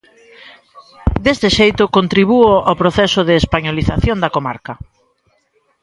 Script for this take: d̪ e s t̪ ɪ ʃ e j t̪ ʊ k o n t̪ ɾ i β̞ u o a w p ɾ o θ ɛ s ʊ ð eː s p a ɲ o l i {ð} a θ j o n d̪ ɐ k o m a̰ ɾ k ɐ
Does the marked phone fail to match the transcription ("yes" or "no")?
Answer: yes